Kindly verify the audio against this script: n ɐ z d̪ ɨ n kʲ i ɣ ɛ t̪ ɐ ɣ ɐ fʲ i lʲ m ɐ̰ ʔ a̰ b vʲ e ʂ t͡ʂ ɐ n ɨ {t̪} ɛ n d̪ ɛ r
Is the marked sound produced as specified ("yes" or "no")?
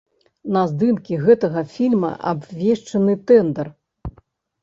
yes